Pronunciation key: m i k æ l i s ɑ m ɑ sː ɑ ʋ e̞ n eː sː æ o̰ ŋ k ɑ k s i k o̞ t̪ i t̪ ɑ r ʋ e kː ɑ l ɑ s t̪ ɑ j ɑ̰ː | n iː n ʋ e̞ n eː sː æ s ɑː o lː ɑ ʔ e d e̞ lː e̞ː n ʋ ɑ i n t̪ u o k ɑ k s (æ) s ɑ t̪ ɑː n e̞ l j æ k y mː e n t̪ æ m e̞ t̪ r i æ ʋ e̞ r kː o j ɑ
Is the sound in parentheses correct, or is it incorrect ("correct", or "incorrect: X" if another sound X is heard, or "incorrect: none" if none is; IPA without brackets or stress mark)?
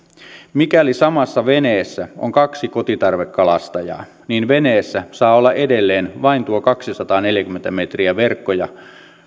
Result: incorrect: i